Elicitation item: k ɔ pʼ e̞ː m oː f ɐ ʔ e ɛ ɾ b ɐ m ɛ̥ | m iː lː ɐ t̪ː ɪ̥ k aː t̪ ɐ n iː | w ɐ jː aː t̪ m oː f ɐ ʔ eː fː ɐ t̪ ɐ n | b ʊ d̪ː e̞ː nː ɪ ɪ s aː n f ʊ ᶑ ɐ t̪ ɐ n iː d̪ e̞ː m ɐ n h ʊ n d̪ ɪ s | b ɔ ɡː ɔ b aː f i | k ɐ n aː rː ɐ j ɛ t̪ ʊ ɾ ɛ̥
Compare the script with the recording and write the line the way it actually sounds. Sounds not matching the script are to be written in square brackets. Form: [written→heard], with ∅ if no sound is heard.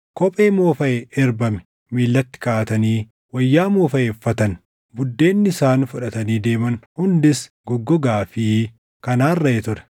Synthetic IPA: k ɔ pʼ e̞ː m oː f ɐ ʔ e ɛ ɾ b ɐ m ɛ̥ | m iː lː ɐ t̪ː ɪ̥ k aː t̪ ɐ n iː | w ɐ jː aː [t̪→∅] m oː f ɐ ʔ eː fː ɐ t̪ ɐ n | b ʊ d̪ː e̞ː nː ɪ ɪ s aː n f ʊ ᶑ ɐ t̪ ɐ n iː d̪ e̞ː m ɐ n h ʊ n d̪ ɪ s | [b→ɡ] ɔ ɡː ɔ [b→ɡ] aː f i | k ɐ n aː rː ɐ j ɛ t̪ ʊ ɾ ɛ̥